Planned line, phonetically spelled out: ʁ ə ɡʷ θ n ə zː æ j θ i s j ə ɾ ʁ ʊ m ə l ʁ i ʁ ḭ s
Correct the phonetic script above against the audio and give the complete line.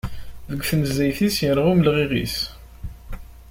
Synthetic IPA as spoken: ð ə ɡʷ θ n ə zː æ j θ i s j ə ɾ ʁ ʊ m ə l ʁ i ʁ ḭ s